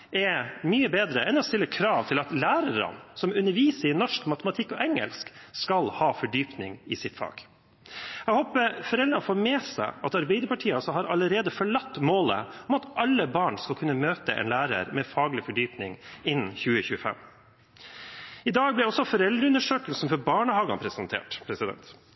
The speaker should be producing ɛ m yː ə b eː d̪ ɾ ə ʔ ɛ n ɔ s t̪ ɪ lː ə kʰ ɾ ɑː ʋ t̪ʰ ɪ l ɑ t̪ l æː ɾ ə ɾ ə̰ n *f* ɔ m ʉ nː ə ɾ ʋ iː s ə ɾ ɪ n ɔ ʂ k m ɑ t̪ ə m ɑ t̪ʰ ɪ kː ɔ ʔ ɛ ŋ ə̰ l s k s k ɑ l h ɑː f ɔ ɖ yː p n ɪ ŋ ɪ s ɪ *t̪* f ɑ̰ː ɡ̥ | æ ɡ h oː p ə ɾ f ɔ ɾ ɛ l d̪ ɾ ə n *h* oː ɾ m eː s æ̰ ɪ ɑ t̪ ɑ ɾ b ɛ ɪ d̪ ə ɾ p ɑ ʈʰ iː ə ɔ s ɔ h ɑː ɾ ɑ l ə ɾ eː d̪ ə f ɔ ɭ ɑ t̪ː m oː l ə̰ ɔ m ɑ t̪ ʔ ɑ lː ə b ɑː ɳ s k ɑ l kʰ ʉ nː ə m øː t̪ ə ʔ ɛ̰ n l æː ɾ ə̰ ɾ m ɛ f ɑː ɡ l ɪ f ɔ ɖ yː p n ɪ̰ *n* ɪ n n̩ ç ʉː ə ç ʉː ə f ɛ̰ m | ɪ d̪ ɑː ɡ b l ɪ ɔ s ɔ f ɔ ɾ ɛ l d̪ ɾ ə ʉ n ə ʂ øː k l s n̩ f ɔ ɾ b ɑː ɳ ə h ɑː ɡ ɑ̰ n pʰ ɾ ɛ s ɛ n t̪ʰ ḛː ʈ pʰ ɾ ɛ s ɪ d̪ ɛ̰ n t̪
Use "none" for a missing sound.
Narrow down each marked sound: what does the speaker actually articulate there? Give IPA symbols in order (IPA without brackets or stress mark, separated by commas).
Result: s, t̪, f, ŋ